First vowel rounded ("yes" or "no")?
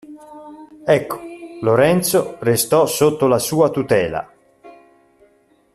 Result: no